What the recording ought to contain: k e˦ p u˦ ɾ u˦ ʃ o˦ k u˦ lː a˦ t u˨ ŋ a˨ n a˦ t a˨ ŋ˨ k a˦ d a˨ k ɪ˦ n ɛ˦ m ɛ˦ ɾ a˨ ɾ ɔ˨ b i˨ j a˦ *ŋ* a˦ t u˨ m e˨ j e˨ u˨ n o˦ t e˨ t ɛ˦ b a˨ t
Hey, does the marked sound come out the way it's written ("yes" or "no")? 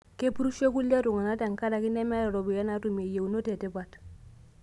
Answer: no